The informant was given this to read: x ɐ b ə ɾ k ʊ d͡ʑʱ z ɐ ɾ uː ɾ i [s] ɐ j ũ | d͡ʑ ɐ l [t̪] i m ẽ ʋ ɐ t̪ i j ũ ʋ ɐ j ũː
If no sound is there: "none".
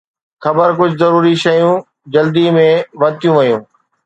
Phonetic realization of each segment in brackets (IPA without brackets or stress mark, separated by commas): ʃ, d̪